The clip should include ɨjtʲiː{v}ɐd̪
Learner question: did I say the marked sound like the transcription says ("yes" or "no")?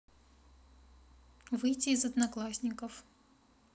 no